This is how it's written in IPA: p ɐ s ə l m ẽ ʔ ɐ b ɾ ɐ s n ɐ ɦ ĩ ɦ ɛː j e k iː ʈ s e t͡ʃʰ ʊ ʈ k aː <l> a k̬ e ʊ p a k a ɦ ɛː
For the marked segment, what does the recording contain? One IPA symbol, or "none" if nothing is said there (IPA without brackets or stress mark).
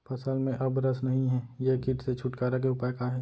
ɾ